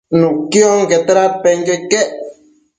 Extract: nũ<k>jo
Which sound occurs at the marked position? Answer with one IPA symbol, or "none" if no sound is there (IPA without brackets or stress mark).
k